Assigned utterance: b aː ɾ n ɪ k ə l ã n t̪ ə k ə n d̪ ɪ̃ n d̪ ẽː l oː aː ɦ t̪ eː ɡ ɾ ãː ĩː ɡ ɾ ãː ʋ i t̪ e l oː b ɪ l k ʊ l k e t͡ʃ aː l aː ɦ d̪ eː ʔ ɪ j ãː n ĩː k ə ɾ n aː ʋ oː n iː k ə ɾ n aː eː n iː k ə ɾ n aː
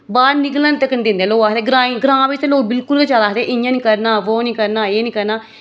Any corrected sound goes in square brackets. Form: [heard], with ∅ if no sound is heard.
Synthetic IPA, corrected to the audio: b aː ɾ n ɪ k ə l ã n t̪ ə k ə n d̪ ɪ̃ n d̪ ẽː l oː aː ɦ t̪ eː ɡ ɾ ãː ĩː ɡ ɾ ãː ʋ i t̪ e l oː b ɪ l k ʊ l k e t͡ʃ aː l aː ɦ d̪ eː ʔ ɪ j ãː n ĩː k ə ɾ n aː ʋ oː n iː k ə ɾ n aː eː n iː k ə ɾ n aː